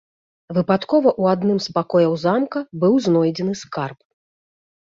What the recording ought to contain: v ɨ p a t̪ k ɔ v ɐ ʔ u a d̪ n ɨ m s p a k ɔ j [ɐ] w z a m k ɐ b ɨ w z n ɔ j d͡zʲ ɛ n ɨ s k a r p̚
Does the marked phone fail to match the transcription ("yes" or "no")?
no